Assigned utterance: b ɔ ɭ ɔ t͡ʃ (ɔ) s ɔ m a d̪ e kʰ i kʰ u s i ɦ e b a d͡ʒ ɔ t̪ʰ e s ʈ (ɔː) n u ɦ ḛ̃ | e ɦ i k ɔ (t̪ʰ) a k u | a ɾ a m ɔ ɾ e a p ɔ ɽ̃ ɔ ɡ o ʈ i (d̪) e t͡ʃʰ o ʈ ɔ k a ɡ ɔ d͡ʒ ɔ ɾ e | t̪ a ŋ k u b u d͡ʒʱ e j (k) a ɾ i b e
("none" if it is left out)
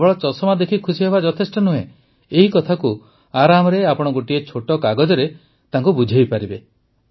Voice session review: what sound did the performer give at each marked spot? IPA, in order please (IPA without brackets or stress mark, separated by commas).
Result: ɔ, ɔ, t̪ʰ, none, p